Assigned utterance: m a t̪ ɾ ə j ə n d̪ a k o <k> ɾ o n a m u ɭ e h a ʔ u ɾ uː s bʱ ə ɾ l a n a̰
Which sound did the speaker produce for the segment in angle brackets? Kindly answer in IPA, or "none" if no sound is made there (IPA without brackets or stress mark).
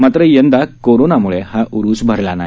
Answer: none